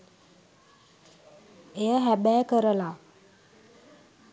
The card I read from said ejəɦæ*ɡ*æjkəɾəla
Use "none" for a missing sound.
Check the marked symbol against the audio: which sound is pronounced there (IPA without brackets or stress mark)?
b